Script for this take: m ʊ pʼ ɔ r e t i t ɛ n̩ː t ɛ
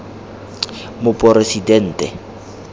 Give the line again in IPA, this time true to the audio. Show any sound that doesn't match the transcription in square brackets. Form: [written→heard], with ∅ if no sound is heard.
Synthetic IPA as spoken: m ʊ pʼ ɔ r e [t→s] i [t→d] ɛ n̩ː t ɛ

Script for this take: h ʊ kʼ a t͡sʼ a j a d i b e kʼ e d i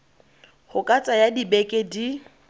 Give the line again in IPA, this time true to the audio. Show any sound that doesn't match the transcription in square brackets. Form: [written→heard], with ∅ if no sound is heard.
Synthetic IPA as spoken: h ʊ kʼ a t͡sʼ a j a d i b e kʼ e d i

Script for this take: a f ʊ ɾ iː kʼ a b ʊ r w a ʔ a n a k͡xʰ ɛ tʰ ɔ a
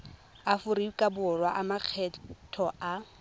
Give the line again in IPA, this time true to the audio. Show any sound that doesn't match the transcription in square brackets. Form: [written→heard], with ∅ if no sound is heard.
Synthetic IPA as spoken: a f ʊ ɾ [iː→i] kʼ a b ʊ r w a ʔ a [n→m] a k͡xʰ ɛ tʰ ɔ a

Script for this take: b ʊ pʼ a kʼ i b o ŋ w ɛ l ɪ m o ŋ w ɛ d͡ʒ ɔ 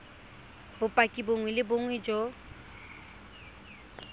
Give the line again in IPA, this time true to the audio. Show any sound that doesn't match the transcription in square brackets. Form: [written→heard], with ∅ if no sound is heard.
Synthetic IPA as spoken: b ʊ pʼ a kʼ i b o ŋ w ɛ l ɪ [m→b] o ŋ w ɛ d͡ʒ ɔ

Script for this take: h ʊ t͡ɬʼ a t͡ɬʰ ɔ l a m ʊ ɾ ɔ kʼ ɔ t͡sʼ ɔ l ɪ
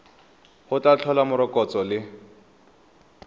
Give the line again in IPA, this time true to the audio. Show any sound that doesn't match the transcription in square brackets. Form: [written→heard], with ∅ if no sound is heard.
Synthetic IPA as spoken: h ʊ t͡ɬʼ a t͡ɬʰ ɔ l a m ʊ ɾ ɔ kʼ ɔ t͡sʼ ɔ l ɪ

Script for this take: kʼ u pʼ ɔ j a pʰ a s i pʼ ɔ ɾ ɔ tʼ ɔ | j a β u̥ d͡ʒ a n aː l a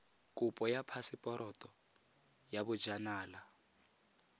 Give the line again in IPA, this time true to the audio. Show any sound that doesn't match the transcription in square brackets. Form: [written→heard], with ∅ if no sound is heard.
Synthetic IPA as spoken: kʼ u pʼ ɔ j a pʰ a s i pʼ ɔ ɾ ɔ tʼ ɔ | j a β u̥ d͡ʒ a n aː l a

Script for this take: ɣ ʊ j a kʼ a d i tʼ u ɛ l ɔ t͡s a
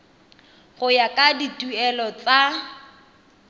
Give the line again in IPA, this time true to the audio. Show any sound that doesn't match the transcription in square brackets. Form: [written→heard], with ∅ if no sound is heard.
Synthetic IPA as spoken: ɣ ʊ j a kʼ a d i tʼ u ɛ l ɔ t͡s a

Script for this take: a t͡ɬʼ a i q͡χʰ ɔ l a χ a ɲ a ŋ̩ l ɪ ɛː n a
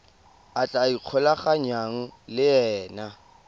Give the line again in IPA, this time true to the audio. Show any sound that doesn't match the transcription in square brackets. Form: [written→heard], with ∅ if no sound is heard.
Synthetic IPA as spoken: a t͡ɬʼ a i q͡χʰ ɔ l a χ a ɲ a ŋ̩ l ɪ ɛː n a

